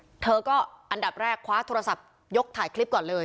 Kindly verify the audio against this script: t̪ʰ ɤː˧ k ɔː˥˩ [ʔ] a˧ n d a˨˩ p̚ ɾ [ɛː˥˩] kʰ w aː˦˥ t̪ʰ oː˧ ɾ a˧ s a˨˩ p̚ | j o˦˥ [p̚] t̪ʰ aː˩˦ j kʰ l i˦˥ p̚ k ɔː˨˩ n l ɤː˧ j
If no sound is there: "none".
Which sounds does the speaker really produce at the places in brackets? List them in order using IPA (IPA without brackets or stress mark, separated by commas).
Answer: ʔ, ɛː˥˩, k̚